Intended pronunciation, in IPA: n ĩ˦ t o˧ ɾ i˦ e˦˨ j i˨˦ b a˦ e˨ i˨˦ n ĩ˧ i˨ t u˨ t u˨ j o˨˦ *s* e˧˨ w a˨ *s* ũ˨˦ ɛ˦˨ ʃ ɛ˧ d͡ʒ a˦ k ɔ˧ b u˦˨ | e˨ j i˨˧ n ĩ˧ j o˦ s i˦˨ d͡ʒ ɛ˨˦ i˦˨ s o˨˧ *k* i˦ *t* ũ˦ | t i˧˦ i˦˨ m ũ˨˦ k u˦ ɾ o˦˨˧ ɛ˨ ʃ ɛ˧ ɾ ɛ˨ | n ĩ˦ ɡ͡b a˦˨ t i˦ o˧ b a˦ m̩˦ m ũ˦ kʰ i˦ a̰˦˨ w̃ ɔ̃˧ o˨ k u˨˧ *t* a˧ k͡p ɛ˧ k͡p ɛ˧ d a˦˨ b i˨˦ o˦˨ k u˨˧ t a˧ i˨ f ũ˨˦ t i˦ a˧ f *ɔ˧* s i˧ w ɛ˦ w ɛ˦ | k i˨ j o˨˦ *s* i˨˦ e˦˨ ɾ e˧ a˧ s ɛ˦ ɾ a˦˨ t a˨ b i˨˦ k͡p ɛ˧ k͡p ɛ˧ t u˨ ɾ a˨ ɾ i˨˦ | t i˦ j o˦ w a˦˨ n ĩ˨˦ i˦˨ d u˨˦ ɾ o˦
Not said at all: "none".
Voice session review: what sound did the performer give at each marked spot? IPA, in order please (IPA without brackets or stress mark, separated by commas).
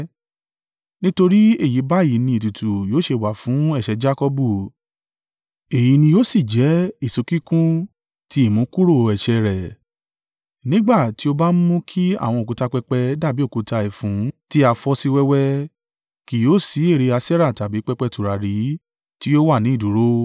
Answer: ʃ, f, k, k, t, ɔ˧, s